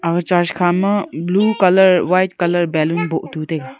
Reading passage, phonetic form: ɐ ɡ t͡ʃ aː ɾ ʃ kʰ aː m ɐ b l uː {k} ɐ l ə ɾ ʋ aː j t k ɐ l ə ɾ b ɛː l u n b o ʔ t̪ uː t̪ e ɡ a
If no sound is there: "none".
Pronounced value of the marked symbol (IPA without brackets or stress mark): k